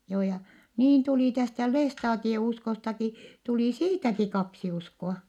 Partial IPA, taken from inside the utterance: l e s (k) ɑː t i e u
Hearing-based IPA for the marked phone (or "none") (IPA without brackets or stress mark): t